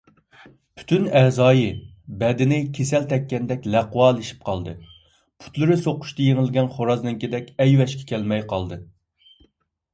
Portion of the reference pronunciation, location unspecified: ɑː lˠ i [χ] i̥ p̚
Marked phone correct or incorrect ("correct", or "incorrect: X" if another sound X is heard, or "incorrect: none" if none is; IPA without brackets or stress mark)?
incorrect: ʃ